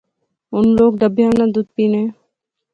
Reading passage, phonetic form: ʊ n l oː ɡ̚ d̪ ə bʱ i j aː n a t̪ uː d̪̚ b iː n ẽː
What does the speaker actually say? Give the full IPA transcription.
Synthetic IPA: ʊ n l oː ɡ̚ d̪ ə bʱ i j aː n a d̪ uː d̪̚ p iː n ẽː